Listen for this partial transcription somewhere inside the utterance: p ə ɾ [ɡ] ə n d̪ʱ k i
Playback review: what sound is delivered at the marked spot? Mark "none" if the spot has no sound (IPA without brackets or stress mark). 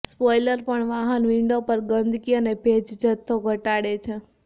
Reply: ɡ